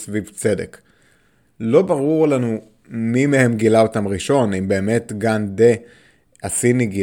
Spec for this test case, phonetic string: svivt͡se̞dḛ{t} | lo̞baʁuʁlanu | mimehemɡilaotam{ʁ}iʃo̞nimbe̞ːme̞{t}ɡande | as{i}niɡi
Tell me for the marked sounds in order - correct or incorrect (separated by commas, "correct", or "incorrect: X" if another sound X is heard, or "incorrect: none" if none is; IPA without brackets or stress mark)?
incorrect: k, correct, correct, correct